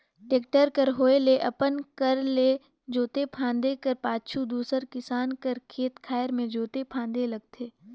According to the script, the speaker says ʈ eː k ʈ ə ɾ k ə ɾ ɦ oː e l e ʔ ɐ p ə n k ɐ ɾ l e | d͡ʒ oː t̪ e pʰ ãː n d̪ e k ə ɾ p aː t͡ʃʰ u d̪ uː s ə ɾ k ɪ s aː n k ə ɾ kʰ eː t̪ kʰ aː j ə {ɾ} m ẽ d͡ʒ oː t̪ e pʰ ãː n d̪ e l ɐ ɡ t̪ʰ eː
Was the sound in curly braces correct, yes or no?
yes